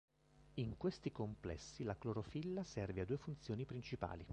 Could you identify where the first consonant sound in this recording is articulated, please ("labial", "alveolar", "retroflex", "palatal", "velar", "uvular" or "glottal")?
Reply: velar